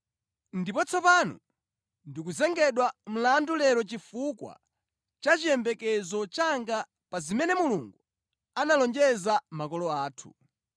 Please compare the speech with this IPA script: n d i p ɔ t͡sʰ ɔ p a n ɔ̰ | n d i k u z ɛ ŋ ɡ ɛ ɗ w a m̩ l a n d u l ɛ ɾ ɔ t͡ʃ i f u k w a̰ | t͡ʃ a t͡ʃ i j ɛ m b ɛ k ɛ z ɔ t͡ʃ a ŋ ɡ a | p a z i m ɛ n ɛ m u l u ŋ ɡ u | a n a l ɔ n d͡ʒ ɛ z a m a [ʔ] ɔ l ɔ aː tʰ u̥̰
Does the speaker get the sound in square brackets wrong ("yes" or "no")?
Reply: yes